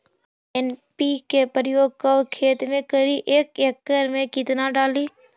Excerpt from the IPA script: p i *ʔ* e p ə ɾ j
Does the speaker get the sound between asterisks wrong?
yes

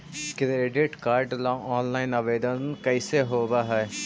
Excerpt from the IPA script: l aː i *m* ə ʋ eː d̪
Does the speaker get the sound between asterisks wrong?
yes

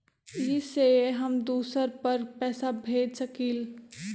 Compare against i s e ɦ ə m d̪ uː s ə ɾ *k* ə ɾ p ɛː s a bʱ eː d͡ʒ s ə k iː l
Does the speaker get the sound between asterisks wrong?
yes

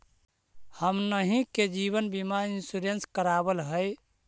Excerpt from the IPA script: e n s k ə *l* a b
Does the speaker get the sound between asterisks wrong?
yes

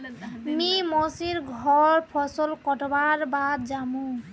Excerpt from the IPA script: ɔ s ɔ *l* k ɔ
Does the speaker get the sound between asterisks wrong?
no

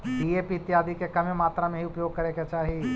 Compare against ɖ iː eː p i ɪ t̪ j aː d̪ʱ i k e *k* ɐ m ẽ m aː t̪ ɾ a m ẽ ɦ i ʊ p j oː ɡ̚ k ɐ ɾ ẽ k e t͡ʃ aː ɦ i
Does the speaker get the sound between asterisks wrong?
no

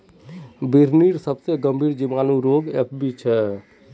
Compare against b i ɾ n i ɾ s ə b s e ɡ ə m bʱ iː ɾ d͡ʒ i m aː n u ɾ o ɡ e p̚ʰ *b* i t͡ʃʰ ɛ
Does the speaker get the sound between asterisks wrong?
no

